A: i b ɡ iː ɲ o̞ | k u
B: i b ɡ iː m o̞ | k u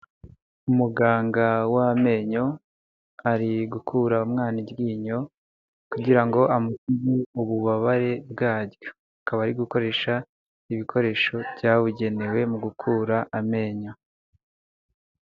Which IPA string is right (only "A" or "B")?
A